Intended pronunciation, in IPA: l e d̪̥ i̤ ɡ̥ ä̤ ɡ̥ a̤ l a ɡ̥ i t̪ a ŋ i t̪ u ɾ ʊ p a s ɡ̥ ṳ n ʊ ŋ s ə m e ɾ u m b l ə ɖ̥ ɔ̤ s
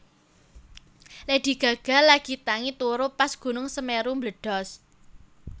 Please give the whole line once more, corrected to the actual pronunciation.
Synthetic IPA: l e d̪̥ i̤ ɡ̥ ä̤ ɡ̥ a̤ l a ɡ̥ i t̪ a ŋ i t̪ u ɾ ʊ p a s ɡ̥ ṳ n ʊ ŋ s ə m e ɾ u m b l ə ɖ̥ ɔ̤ s

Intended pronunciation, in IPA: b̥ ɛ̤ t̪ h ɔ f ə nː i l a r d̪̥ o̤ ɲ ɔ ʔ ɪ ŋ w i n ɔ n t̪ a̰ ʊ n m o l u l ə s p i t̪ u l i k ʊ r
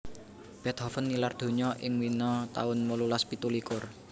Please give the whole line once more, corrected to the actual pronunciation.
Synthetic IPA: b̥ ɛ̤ t̪ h ɔ f ə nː i l a r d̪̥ o̤ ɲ ɔ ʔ ɪ ŋ w i n ɔ t̪ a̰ ʊ n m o l u l a s p i t̪ u l i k ʊ r

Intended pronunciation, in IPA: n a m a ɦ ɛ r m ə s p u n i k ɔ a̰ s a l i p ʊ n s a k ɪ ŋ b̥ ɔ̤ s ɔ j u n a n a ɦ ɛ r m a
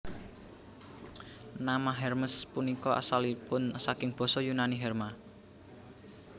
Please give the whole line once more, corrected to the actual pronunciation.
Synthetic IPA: n a m a ɦ ɛ r m ə s p u n i k ɔ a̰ s a l i p ʊ n s a k ɪ ŋ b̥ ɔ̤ s ɔ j u n a n i ɦ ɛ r m a

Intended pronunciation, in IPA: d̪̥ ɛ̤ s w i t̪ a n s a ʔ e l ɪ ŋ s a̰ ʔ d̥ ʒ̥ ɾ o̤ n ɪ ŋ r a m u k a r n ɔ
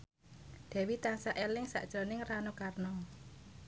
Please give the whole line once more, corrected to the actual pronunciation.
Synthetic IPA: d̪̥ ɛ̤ w i t̪ a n s a ʔ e l ɪ ŋ s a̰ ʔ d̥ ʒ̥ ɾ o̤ n ɪ ŋ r a n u k a r n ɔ

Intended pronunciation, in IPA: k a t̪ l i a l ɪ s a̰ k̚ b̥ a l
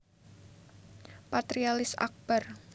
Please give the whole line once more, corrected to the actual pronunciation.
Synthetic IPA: p a t̪ ɾ i a l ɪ s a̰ k̚ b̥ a r

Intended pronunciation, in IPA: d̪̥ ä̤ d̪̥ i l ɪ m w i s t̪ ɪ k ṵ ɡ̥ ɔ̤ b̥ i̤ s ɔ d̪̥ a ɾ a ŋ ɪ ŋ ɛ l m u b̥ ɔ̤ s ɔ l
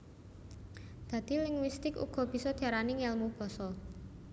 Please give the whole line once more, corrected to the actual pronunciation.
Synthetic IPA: d̪̥ ä̤ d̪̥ i l ɪ ŋ w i s t̪ ɪ k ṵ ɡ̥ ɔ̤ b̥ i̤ s ɔ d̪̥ a ɾ a n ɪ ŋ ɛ l m u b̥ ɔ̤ s ɔ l

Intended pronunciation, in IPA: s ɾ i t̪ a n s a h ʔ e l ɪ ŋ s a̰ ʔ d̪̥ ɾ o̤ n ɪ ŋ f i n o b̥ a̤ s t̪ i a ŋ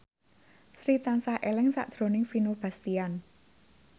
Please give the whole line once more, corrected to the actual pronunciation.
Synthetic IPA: s ɾ i t̪ a n s a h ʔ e l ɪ ŋ s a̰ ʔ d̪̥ ɾ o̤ n ɪ ŋ f i n o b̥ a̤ s t̪ i a n

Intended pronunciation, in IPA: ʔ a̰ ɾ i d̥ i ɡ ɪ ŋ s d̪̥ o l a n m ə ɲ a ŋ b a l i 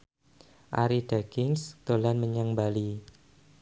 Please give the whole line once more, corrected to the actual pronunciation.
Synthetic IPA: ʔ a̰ ɾ i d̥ a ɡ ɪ ŋ s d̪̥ o l a n m ə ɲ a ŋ b a l i

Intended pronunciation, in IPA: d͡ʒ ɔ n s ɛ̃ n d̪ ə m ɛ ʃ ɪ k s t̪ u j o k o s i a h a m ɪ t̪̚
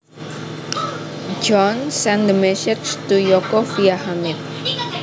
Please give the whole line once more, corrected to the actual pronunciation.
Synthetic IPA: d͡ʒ ɔ n s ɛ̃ n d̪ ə m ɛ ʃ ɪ k s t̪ u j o k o f i a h a m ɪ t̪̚

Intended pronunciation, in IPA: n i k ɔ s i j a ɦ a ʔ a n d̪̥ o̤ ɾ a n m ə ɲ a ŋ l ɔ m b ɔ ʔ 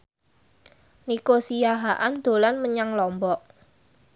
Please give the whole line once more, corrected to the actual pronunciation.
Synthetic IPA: n i k o s i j a ɦ a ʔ a n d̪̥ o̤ l a n m ə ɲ a ŋ l ɔ m b ɔ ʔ

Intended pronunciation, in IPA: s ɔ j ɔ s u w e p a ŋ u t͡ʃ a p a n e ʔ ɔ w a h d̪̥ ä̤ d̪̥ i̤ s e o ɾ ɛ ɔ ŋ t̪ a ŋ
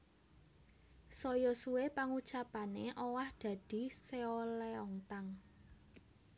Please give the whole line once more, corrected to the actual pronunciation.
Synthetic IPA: s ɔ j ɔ s u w e p a ŋ u t͡ʃ a p a n e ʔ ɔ w a h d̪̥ ä̤ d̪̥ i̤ s e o l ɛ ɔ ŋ t̪ a ŋ

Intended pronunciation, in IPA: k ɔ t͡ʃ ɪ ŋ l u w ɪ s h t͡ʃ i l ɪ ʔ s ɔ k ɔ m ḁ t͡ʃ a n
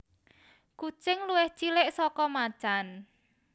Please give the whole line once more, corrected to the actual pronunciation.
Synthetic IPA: k u t͡ʃ ɪ ŋ l u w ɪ h t͡ʃ i l ɪ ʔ s ɔ k ɔ m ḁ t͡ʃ a n

